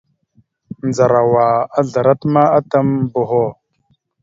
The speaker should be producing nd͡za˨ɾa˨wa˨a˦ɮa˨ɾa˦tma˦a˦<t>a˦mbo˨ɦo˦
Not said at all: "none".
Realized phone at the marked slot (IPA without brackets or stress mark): t